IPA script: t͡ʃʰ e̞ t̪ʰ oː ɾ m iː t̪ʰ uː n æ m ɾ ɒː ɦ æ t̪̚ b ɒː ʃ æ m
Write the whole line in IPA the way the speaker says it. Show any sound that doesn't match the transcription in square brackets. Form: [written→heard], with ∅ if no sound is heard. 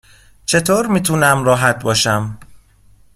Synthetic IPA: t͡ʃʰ e̞ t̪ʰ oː ɾ m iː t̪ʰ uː n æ m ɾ ɒː ɦ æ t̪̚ b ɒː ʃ æ m